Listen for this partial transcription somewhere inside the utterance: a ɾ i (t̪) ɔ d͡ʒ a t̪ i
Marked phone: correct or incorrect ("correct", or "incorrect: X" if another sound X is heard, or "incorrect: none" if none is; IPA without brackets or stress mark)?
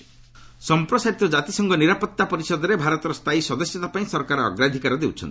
correct